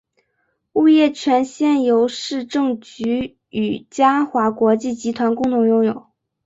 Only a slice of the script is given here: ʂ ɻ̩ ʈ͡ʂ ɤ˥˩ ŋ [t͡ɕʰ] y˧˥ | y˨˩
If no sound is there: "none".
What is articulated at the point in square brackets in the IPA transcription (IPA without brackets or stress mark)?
t͡ɕ